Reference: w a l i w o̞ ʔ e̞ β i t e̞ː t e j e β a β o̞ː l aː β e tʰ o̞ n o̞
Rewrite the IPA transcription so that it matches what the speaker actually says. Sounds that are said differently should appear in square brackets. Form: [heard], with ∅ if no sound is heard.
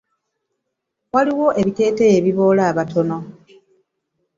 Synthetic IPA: w a l i w o̞ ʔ e̞ β i t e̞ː t e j e β [i] β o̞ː l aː β [a] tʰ o̞ n o̞